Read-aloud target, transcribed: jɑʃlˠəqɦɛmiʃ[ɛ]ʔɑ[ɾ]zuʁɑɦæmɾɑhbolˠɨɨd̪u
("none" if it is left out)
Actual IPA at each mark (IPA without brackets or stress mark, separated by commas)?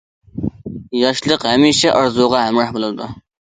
ɛ, ɾ